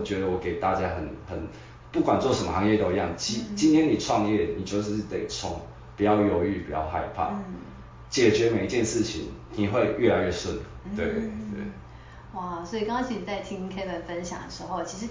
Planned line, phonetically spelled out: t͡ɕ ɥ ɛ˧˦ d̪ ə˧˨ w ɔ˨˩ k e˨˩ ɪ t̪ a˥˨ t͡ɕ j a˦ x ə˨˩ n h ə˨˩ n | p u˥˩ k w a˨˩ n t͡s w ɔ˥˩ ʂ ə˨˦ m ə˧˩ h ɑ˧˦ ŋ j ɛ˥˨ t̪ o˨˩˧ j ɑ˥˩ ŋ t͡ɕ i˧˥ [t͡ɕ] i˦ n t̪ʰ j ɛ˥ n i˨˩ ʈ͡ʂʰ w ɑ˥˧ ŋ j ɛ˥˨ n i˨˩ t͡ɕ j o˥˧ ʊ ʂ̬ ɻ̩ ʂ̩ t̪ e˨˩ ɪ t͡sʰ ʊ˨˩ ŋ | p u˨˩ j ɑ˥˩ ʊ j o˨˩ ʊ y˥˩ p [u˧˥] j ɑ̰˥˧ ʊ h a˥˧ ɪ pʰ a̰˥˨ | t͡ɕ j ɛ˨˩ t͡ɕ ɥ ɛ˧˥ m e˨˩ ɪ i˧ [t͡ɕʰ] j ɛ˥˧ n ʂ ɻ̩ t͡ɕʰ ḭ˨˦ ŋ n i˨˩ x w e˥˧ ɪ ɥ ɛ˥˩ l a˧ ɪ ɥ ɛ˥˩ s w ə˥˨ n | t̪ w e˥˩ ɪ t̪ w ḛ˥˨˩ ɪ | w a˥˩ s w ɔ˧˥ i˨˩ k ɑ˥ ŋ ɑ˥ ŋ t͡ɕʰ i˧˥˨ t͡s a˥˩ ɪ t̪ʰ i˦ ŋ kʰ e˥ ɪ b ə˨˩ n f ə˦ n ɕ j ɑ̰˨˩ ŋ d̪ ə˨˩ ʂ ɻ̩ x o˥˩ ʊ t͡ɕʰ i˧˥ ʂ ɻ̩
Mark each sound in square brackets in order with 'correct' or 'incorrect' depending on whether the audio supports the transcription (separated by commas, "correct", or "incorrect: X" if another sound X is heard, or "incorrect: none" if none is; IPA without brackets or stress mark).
correct, incorrect: u˨˩, incorrect: t͡ɕ